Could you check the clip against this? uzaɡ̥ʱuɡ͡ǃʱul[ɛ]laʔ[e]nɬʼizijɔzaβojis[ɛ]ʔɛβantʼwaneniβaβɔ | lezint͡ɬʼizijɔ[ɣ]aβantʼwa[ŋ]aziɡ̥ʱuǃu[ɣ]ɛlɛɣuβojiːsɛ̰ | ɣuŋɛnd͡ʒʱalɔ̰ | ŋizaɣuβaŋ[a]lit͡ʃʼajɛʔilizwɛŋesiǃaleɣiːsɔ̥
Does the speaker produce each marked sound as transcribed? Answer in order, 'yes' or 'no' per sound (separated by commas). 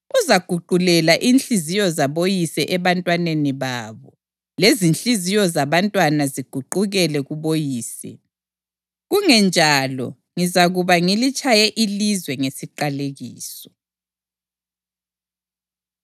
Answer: yes, no, yes, no, no, yes, no